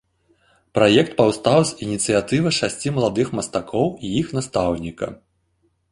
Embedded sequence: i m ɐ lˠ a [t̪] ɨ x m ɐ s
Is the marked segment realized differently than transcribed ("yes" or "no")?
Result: yes